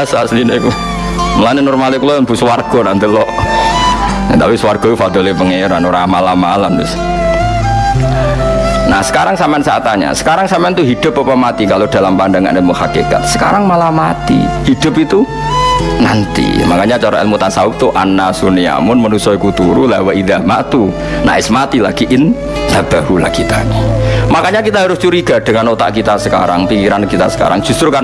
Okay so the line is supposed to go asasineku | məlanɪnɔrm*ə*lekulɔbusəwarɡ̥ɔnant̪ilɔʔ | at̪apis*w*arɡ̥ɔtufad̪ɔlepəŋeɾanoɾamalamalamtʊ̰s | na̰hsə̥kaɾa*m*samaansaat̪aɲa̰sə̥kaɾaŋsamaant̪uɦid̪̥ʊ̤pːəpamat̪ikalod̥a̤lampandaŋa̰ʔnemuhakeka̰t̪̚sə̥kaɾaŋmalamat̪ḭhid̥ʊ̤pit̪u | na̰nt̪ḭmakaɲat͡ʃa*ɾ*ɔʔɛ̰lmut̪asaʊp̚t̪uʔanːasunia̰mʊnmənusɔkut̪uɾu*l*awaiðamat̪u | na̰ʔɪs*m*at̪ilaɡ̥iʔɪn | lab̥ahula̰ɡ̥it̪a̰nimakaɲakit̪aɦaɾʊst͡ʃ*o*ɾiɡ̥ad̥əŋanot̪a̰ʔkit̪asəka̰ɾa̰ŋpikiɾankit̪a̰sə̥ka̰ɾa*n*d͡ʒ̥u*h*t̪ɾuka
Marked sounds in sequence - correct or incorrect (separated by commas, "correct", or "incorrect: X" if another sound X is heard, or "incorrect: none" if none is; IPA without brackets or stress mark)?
incorrect: a, correct, incorrect: ŋ, correct, correct, correct, incorrect: u, incorrect: ŋ, incorrect: s